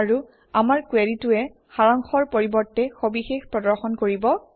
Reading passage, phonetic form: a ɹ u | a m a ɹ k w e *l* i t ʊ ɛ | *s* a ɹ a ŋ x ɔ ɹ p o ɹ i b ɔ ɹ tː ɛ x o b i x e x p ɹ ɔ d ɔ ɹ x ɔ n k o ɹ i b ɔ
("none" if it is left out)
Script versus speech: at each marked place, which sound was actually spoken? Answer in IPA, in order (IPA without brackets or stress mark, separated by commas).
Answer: ɹ, x